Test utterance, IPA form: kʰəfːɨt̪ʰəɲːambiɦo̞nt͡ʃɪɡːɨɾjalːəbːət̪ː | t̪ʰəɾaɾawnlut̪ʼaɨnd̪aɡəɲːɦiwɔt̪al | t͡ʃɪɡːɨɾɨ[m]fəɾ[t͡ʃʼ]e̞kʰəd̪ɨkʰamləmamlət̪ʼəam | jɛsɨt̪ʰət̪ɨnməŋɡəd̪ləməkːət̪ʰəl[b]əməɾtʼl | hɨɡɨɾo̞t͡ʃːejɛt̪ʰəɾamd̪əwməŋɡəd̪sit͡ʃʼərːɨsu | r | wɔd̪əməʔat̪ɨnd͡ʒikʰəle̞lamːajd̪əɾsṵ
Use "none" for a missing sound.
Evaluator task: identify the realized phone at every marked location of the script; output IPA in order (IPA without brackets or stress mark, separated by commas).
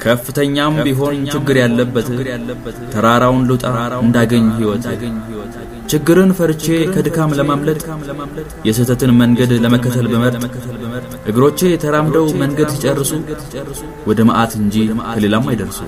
n, t͡ʃ, b